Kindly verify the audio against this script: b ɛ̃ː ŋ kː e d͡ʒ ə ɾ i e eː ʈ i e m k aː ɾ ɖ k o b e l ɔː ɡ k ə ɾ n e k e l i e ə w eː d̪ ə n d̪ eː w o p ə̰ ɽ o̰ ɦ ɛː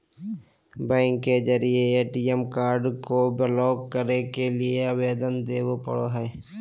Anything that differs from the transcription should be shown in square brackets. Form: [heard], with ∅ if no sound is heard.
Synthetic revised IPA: b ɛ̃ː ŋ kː e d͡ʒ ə ɾ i e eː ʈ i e m k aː ɾ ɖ k o b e l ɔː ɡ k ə ɾ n e k e l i e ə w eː d̪ ə n d̪ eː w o p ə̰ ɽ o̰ ɦ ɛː